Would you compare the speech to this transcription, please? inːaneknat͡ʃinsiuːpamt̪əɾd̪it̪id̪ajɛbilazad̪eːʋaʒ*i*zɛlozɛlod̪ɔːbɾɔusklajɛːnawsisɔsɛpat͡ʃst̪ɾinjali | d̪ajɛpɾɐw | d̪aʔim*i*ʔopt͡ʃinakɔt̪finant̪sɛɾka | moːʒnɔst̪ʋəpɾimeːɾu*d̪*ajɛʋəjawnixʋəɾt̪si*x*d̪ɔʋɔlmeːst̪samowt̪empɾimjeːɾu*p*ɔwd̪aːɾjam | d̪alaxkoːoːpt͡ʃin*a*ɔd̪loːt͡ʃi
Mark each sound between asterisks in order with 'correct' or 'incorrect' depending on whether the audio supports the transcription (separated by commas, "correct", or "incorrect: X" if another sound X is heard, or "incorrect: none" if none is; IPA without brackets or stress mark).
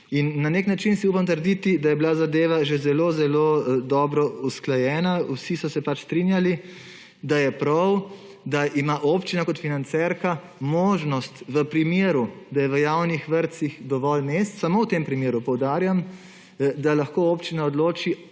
incorrect: e, incorrect: a, correct, correct, correct, correct